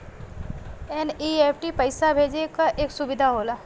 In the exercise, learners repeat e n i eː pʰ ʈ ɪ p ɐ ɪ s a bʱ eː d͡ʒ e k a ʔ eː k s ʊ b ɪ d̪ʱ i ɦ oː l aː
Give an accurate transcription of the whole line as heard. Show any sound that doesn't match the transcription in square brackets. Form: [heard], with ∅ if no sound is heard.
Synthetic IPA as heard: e n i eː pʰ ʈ [i] p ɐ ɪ s a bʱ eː d͡ʒ e k a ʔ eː k s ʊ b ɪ d̪ʱ [a] ɦ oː l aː